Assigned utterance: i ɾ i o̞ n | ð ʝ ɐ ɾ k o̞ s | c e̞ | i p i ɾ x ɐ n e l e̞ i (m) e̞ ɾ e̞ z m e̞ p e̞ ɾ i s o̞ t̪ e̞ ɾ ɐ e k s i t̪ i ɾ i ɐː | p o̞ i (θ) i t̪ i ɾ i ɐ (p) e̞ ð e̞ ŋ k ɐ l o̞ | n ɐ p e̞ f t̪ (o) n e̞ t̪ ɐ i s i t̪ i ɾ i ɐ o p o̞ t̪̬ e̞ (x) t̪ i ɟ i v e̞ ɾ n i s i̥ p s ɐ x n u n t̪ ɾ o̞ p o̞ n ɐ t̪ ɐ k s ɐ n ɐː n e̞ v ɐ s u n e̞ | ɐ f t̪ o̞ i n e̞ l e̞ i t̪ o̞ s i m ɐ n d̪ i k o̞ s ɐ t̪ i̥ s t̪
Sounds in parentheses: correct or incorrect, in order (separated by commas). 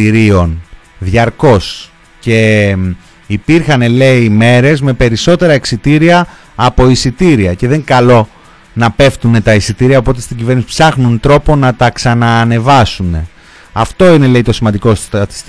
correct, incorrect, incorrect, incorrect, incorrect